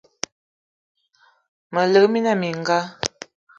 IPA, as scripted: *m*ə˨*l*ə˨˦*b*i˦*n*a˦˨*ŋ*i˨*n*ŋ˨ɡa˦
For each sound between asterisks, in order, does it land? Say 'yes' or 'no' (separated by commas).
yes, yes, no, yes, no, no